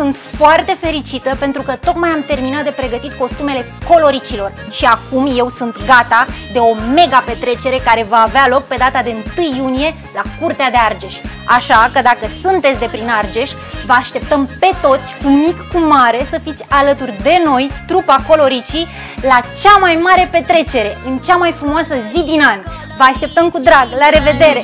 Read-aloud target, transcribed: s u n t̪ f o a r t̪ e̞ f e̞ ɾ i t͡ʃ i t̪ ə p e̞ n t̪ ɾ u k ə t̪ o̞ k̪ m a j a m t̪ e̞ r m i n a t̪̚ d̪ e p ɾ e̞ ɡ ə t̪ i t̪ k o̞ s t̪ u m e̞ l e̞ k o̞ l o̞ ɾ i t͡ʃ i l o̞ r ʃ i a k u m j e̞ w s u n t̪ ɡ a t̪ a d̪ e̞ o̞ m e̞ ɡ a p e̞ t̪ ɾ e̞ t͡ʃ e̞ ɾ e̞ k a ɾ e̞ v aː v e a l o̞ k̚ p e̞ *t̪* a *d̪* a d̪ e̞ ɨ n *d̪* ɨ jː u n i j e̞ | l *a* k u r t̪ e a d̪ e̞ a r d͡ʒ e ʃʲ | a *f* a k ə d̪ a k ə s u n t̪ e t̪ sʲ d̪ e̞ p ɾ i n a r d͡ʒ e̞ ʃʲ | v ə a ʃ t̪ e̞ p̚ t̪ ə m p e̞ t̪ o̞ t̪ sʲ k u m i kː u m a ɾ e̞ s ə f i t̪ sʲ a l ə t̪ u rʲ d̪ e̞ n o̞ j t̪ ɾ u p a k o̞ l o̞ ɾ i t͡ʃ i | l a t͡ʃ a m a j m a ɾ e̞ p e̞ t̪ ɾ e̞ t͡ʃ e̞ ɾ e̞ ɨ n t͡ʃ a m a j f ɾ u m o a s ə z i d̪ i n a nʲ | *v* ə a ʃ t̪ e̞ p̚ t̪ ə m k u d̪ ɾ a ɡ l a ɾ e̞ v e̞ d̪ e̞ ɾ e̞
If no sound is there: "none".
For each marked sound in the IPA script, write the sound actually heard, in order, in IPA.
d̪, t̪, t̪, a, ʃ, v

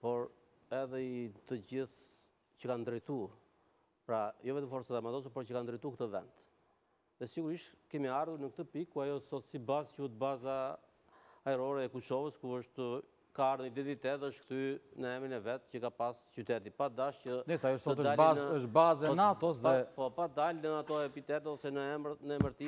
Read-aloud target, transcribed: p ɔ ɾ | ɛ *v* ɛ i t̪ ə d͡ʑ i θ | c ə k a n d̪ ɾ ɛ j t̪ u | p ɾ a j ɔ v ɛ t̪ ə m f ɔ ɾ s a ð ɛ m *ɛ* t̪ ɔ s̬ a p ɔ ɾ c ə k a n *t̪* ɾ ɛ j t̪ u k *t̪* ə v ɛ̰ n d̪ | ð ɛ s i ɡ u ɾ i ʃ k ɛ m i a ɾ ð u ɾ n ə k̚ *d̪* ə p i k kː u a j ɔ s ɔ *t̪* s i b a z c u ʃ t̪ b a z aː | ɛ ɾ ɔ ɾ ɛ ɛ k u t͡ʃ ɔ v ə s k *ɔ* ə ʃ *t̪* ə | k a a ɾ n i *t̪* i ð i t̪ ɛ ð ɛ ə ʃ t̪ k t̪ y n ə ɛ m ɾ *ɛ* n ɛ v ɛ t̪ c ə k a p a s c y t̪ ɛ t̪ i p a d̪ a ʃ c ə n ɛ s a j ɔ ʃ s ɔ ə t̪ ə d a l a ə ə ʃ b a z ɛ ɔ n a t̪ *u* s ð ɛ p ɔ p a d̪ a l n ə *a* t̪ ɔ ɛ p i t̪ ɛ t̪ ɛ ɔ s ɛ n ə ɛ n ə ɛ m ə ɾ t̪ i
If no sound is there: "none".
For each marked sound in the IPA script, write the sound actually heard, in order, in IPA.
ð, a, d̪, t̪, t̪, t̪, u, t̪, d̪, i, ɔ, a

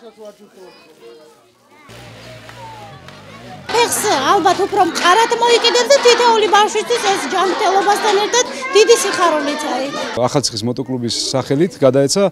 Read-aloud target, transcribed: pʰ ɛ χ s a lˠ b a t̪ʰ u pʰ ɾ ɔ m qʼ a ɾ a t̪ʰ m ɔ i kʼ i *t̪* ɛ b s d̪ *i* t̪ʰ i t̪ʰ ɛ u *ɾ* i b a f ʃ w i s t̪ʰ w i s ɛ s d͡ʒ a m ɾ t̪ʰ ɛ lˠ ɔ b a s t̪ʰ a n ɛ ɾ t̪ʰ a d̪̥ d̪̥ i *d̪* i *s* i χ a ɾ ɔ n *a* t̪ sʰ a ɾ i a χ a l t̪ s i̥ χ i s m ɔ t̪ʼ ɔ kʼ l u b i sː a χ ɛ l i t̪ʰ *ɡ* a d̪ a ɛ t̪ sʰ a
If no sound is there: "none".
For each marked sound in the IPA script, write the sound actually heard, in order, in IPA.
d̪, a, l, d̪, s, i, ɡ

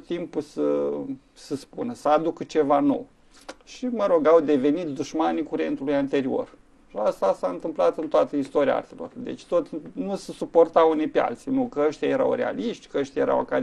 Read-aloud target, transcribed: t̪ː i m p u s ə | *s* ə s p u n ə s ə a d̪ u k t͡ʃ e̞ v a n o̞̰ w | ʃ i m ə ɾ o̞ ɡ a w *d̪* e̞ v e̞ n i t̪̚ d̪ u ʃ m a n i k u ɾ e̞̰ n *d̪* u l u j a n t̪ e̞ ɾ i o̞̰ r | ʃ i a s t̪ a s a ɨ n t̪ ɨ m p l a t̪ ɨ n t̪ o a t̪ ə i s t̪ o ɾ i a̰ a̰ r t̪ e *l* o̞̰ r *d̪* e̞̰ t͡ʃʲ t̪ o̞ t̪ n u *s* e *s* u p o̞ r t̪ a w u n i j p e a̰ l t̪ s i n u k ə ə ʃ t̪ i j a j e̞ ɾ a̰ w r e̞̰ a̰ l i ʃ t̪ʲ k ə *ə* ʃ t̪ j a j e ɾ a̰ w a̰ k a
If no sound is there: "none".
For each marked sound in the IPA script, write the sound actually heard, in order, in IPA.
s, d̪, t̪, l, d̪, s, s, ə

